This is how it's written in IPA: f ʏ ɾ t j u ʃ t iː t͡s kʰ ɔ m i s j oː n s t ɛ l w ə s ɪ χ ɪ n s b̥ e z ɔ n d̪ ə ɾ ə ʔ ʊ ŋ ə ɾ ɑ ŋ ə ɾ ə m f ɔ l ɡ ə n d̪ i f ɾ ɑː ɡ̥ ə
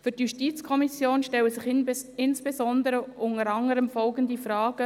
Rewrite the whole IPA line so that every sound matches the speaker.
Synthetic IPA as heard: f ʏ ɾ t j u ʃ t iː t͡s kʰ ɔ m i s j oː n ʃ t ɛ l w ə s ɪ χ ɪ n s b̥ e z ɔ n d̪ ə ɾ ə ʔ ʊ ŋ ə ɾ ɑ ŋ ə ɾ ə m f ɔ l ɡ ə n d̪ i f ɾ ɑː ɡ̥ ə